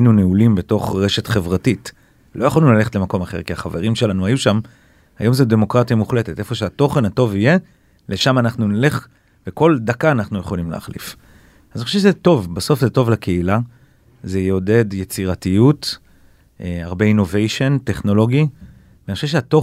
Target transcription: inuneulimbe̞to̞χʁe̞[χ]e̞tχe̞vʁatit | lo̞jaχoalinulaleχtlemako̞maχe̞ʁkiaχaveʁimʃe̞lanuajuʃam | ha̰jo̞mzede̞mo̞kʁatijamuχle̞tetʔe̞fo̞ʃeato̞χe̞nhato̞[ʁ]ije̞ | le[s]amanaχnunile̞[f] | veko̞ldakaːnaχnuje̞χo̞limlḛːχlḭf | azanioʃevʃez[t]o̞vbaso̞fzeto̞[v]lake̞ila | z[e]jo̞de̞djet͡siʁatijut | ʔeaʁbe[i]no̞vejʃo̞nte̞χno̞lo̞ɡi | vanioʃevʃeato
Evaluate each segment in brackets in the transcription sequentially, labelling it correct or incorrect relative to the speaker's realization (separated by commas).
incorrect, incorrect, incorrect, incorrect, correct, correct, correct, correct